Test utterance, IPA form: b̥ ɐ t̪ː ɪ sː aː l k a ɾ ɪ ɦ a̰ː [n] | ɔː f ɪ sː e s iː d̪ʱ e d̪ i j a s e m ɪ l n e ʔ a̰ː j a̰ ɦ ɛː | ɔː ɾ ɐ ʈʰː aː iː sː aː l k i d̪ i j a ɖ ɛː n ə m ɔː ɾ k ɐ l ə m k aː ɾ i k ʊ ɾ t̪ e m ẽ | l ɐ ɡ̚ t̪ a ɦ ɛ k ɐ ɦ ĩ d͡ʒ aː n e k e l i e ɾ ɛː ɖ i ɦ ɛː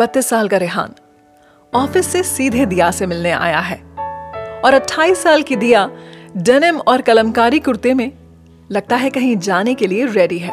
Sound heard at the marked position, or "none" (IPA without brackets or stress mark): n